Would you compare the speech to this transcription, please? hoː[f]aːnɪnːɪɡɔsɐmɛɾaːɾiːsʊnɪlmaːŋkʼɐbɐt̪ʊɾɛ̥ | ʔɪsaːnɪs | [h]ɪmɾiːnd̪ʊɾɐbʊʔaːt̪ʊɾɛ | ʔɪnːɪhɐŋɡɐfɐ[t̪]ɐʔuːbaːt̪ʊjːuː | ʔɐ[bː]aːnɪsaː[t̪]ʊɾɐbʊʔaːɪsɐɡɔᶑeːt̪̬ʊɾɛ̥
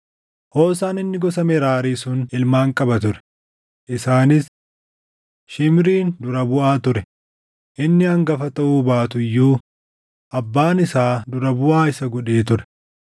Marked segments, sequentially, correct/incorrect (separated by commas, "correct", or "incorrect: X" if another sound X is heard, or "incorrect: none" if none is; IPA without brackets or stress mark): incorrect: s, incorrect: ʃ, correct, correct, incorrect: d̪